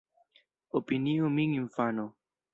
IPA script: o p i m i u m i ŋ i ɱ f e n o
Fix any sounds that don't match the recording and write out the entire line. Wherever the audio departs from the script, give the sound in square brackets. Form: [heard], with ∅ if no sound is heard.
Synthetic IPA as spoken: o p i [n] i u m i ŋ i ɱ f [a] n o